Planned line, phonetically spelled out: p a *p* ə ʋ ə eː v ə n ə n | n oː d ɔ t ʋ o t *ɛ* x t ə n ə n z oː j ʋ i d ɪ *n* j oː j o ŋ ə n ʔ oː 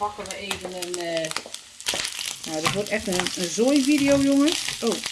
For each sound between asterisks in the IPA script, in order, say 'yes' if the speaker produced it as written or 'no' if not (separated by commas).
no, yes, no